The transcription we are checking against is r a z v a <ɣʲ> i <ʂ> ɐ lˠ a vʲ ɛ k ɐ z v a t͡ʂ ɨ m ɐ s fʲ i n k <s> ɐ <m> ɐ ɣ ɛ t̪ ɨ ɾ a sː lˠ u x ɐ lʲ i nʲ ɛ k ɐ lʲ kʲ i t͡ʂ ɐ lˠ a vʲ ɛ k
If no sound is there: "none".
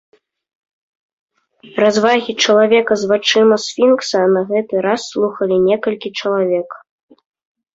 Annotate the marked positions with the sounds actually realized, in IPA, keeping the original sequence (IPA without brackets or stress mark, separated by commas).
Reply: ɣʲ, t͡ʂ, s, n